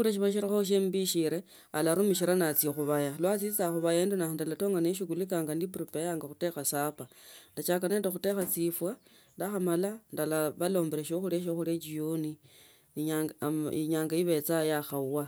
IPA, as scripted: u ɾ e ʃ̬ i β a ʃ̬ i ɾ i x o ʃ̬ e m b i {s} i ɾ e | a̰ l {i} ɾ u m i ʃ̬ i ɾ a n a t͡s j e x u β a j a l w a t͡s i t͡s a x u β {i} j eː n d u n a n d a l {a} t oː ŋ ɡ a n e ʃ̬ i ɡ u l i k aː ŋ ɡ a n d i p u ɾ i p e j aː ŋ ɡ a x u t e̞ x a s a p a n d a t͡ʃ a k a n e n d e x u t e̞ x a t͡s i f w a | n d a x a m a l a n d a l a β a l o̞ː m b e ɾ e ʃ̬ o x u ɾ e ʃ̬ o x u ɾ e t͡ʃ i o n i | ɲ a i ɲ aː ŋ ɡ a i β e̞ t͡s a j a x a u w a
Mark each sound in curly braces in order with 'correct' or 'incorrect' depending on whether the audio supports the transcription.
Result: incorrect, incorrect, incorrect, correct

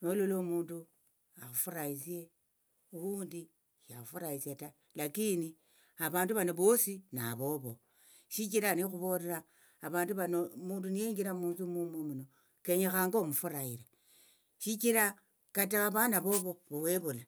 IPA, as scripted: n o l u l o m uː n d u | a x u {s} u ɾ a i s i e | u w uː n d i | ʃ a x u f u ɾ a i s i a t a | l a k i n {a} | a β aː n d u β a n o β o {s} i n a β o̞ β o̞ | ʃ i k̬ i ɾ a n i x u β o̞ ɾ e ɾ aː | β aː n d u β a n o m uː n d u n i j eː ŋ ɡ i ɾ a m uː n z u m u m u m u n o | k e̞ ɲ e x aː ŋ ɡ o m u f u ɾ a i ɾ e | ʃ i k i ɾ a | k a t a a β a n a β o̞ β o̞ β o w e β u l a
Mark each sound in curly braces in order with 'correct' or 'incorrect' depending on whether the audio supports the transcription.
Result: incorrect, incorrect, correct

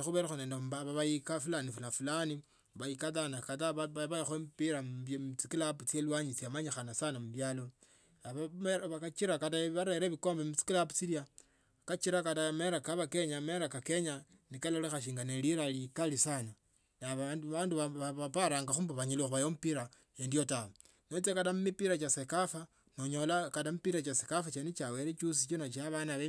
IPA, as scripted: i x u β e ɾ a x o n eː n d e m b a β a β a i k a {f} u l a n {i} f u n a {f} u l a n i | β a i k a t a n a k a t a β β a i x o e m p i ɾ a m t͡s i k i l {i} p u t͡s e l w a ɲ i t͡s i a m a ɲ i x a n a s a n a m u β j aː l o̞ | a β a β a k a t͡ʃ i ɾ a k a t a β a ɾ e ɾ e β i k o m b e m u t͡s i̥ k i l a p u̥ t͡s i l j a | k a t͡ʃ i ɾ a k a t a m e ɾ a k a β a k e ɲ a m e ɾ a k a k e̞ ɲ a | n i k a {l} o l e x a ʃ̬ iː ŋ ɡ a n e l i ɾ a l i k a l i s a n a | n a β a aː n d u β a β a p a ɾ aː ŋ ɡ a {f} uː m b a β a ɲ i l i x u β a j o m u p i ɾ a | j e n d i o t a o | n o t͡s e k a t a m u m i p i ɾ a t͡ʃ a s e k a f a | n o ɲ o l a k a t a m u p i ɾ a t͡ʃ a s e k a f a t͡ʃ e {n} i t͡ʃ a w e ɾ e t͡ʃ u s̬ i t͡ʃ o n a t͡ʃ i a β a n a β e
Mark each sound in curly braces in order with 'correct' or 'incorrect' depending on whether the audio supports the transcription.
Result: correct, correct, correct, incorrect, correct, incorrect, correct

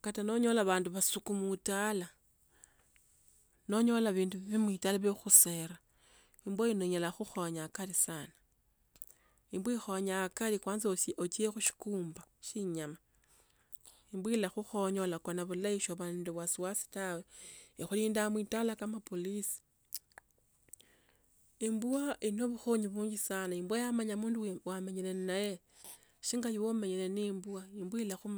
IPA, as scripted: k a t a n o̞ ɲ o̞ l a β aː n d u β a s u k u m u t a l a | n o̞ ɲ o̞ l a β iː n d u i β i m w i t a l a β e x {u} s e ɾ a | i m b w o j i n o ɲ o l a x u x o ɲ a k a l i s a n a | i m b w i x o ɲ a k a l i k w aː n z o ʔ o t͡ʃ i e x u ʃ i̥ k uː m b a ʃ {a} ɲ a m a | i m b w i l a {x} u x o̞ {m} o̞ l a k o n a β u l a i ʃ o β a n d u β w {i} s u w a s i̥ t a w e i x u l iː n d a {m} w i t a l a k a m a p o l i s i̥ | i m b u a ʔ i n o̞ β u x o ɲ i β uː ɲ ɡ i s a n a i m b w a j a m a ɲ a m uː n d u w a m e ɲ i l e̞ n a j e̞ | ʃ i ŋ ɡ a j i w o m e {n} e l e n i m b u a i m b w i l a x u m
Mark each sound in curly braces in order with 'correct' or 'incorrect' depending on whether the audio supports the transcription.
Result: correct, incorrect, correct, incorrect, incorrect, correct, incorrect

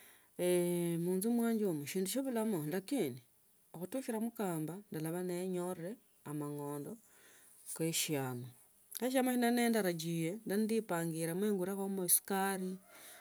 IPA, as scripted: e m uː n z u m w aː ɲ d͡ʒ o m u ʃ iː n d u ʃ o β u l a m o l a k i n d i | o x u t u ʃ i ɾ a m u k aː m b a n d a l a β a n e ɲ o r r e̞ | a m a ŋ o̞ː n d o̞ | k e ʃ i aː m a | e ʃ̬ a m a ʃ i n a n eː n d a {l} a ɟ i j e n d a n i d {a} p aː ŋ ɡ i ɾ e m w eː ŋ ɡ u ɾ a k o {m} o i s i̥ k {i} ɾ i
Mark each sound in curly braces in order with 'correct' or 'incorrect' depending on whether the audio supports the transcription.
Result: incorrect, incorrect, correct, incorrect

